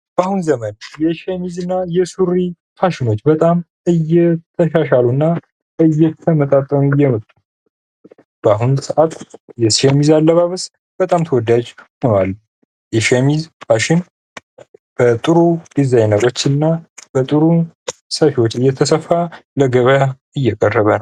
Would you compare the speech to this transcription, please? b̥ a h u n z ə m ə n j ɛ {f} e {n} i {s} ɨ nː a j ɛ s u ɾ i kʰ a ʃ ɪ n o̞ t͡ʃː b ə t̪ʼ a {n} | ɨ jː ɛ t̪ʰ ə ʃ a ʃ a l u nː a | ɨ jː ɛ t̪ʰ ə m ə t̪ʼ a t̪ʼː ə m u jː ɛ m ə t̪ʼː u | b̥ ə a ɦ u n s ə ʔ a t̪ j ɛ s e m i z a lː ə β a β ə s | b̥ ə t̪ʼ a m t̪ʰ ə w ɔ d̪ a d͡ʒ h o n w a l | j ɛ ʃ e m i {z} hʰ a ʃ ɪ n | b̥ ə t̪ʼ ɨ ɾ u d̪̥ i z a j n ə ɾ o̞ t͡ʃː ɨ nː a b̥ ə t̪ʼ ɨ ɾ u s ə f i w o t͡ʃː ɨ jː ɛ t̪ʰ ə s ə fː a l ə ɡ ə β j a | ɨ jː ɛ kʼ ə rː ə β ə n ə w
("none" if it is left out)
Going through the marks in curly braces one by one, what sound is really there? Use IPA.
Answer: ʃ, m, z, m, z

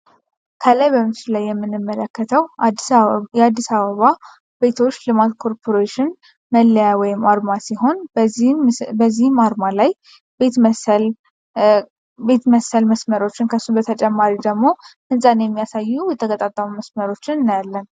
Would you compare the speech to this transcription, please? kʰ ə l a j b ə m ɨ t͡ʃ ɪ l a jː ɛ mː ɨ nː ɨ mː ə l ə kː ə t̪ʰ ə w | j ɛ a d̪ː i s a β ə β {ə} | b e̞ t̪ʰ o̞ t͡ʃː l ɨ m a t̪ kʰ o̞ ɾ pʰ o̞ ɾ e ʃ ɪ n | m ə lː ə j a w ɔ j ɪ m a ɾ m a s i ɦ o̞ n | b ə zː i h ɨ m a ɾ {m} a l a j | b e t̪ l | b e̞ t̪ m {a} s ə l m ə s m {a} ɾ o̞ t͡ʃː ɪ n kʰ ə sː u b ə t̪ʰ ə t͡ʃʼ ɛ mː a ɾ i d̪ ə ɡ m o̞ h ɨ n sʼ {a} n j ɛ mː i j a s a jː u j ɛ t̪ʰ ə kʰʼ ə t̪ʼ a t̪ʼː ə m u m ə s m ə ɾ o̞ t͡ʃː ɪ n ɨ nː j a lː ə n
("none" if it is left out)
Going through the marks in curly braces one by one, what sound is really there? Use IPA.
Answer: a, m, ə, ə, a

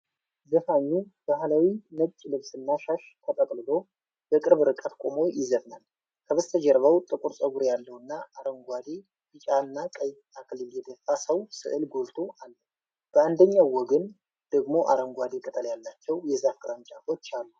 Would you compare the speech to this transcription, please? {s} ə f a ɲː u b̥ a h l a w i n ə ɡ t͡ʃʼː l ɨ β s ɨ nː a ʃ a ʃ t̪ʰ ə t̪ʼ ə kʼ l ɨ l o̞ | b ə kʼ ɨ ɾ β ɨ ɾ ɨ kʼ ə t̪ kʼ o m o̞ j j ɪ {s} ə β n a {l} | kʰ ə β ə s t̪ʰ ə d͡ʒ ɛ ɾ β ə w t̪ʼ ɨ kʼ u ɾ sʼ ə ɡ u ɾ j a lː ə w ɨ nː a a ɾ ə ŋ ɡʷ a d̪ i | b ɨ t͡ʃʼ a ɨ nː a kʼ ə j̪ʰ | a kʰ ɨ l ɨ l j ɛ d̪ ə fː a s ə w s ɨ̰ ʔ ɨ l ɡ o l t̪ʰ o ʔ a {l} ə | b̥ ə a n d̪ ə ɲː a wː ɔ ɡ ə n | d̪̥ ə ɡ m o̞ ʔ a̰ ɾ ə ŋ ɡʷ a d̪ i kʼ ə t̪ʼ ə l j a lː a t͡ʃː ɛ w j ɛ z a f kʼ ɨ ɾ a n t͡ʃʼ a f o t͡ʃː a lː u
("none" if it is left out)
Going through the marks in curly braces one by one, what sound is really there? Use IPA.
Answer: z, z, l, lː

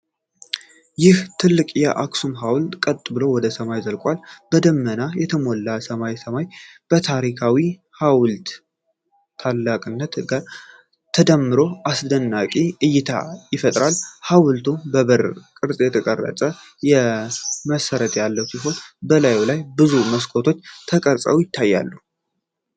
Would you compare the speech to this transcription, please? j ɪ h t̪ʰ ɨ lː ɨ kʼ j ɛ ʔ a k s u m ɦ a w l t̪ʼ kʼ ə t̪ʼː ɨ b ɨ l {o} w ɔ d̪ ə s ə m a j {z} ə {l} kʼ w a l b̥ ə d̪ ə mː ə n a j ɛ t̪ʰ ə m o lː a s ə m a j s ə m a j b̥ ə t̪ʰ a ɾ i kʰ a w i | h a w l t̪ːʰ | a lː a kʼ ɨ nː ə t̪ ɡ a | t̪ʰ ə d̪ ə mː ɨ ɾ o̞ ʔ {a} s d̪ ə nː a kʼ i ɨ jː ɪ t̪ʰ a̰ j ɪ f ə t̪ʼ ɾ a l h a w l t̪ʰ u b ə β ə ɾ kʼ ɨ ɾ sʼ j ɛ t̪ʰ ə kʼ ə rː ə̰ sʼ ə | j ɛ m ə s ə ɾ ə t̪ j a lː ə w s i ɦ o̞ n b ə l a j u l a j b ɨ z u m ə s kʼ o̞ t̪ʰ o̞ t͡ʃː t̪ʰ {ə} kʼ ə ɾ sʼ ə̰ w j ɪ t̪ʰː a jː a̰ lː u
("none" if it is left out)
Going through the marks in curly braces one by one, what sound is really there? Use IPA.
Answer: o, z, l, a, ə

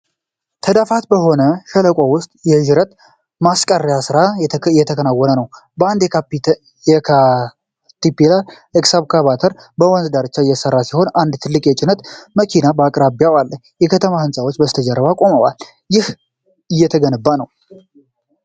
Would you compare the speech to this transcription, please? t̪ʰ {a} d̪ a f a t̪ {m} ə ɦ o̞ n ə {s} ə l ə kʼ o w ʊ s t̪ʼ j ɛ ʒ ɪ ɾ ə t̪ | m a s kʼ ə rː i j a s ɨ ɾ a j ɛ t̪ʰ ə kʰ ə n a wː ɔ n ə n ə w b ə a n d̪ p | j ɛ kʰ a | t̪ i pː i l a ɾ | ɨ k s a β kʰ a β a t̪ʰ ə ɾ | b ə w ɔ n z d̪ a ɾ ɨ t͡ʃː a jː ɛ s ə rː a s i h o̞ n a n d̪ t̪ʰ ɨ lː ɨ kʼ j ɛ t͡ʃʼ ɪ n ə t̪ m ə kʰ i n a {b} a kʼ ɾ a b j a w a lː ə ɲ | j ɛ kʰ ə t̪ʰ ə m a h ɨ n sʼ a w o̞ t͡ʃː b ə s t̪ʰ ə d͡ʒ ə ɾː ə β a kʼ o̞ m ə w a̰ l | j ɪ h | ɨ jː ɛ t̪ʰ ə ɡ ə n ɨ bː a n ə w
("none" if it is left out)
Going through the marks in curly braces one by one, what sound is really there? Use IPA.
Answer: ə, b, ʃ, b

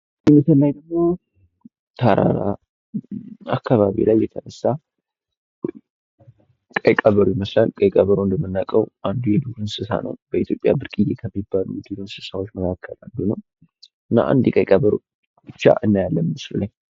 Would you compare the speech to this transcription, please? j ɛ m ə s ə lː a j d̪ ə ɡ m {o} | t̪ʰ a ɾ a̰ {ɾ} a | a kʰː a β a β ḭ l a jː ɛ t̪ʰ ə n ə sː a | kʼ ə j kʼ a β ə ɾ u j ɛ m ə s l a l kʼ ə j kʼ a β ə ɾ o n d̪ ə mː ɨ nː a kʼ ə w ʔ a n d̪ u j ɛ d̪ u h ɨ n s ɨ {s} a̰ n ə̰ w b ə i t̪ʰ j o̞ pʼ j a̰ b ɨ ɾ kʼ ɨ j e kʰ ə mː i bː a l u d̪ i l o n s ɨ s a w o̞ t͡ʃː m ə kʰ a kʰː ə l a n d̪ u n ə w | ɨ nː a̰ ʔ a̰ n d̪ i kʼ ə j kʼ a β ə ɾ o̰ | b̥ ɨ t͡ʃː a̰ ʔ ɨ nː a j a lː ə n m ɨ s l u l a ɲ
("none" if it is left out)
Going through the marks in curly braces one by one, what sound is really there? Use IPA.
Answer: o, ɾ, s

